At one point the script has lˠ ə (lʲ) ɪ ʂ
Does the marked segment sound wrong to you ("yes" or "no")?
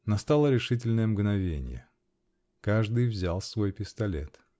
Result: yes